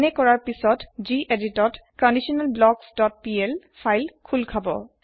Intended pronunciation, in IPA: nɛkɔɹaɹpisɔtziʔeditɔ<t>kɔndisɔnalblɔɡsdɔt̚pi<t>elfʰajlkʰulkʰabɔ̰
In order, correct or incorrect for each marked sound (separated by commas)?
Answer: correct, incorrect